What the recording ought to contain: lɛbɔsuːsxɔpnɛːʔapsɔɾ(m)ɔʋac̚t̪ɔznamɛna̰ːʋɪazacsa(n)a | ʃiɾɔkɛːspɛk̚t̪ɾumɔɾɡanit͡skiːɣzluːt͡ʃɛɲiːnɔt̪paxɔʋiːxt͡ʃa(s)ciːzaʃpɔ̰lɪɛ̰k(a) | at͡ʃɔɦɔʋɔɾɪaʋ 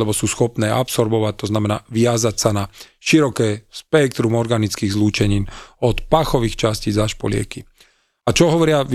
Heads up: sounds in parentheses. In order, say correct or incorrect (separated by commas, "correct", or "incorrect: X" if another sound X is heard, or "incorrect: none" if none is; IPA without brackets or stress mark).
incorrect: b, correct, correct, incorrect: i